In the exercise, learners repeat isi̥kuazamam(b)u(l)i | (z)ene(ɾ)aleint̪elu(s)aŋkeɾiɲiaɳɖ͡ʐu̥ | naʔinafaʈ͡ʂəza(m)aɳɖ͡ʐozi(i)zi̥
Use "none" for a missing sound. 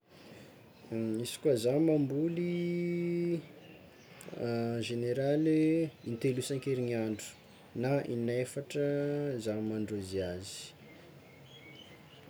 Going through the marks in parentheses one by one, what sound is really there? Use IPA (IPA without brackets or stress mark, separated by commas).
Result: b, l, ʒ, ɾ, s, m, a